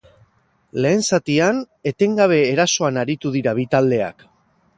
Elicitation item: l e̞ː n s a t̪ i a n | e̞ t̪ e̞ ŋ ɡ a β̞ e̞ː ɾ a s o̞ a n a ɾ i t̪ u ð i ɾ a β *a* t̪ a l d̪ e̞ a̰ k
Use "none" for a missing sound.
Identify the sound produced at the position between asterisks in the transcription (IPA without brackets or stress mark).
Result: i